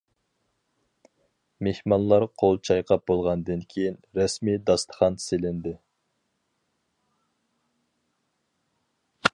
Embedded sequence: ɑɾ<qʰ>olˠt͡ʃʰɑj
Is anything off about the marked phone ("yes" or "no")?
no